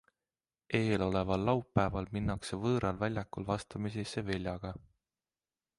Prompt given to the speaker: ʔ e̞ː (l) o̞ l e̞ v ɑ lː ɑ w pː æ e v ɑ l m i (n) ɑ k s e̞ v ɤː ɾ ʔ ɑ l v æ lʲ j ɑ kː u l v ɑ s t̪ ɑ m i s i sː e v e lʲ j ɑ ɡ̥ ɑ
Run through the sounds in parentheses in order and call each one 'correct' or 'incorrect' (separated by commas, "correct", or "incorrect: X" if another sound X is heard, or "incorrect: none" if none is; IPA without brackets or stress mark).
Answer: correct, incorrect: nː